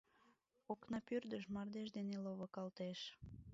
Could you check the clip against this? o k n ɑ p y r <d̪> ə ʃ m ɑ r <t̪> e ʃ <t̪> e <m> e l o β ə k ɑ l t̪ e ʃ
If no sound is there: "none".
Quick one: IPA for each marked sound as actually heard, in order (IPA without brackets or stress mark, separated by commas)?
d̪, d̪, d̪, n